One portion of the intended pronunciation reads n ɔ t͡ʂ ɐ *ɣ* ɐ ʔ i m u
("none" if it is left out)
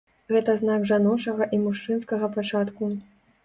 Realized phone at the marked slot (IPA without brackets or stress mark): ɣ